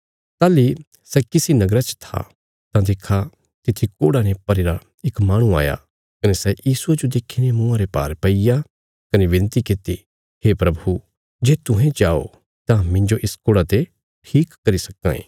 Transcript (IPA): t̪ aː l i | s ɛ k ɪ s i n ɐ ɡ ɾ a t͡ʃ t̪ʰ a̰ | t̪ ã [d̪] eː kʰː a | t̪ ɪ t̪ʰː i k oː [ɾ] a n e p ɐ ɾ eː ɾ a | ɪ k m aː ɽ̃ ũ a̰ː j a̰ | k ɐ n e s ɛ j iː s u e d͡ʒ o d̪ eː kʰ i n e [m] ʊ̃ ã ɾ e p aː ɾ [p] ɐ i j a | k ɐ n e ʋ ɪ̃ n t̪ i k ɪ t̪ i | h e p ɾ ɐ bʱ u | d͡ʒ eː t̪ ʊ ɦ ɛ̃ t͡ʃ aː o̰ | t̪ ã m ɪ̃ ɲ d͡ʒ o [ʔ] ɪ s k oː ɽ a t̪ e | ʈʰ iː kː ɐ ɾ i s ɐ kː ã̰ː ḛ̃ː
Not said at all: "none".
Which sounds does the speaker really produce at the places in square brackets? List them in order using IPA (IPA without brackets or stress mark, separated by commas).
d̪, ɽ, m, p, ʔ